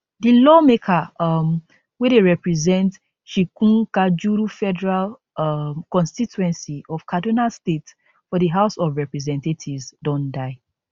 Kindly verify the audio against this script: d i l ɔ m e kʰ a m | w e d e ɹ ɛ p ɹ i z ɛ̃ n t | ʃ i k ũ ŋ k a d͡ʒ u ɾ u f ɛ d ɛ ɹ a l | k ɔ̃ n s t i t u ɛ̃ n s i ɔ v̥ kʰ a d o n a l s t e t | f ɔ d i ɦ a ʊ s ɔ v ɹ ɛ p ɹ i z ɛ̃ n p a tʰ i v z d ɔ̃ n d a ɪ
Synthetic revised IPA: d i l ɔ m e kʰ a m | w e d e ɹ ɛ p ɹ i z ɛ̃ n t | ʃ i k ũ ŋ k a d͡ʒ u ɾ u f ɛ d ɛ ɹ a l | k ɔ̃ n s t i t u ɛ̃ n s i ɔ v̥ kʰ a d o n a l s t e t | f ɔ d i ɦ a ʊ s ɔ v ɹ ɛ p ɹ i z ɛ̃ n t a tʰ i v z d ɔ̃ n d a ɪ